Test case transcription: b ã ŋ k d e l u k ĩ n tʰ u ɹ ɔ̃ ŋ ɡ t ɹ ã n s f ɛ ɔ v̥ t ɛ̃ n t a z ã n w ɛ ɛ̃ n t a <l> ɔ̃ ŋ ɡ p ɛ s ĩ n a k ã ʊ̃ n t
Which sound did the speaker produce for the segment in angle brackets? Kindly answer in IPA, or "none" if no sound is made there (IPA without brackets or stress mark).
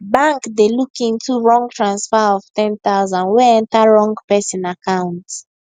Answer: ɹ